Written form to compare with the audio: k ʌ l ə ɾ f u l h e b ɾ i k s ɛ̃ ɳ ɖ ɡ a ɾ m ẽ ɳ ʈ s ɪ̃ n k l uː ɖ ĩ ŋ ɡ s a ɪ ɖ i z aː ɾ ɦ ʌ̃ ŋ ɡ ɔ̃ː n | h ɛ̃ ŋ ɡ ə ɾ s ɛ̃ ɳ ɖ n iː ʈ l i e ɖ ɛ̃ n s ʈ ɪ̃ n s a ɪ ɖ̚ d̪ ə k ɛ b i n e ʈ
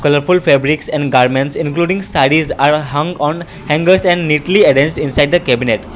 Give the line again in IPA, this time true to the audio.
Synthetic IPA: k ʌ l ə ɾ f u l f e b ɾ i k s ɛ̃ ɳ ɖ ɡ a ɾ m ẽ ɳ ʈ s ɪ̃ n k l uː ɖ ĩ ŋ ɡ s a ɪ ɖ i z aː ɾ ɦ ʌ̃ ŋ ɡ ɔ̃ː n | h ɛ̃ ŋ ɡ ə ɾ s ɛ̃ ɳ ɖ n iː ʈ l i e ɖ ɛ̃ n s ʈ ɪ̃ n s a ɪ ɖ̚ d̪ ə k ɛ b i n e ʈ

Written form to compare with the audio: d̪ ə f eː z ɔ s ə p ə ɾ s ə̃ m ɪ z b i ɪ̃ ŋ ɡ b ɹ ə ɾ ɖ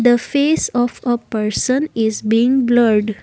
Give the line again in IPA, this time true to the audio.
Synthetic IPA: d̪ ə f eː s ɔ f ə p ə ɾ s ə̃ n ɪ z b i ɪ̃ ŋ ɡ b l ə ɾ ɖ

